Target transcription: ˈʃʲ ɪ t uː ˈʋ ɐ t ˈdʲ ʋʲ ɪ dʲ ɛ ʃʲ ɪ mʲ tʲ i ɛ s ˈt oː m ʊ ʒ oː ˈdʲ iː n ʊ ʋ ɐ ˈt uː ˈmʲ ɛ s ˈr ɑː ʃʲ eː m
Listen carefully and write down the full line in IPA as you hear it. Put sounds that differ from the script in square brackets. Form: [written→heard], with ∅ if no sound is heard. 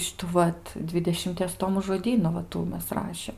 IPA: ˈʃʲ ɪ t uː ˈʋ ɐ t ˈdʲ ʋʲ ɪ dʲ ɛ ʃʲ ɪ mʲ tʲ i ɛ s ˈt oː m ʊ ʒ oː ˈdʲ iː n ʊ ʋ ɐ ˈt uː ˈmʲ ɛ s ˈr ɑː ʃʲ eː m